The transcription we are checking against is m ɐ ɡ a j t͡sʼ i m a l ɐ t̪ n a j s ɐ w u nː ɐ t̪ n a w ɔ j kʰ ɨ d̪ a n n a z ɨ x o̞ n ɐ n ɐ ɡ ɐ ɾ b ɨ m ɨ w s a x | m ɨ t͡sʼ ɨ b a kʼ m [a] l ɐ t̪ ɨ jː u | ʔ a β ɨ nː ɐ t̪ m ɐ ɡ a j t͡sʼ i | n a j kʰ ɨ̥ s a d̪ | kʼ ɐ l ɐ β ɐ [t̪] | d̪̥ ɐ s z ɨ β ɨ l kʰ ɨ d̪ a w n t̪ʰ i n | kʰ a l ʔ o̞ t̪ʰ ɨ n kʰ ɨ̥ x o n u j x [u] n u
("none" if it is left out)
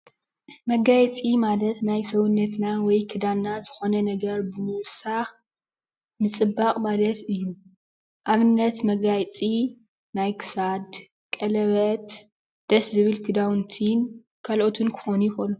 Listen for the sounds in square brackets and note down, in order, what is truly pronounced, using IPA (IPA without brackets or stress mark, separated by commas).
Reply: a, t̪, o